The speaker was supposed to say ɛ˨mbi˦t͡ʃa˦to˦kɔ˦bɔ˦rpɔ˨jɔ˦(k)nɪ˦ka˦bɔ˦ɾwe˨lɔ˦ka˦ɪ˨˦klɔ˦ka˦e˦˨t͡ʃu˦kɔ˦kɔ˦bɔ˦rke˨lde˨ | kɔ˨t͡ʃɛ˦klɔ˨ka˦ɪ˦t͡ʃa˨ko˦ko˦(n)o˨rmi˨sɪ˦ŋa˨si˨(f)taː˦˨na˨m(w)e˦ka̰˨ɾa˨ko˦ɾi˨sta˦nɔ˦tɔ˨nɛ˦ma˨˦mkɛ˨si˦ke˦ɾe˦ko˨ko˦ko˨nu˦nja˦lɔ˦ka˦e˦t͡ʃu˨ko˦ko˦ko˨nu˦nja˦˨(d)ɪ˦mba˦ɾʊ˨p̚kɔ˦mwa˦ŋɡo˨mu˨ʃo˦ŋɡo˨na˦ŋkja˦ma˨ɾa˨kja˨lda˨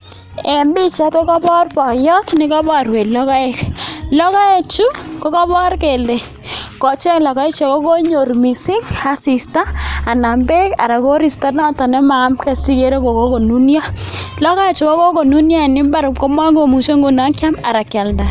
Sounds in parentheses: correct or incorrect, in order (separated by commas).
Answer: incorrect, incorrect, incorrect, incorrect, incorrect